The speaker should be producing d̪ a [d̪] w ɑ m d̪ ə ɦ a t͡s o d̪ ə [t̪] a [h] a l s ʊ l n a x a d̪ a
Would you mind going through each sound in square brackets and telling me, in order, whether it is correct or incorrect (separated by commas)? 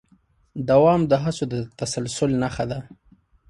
incorrect, correct, incorrect